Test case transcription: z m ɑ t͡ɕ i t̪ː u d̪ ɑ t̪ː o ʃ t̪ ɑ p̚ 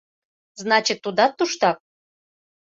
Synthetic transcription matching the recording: z n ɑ t͡ɕ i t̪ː u d̪ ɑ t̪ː u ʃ t̪ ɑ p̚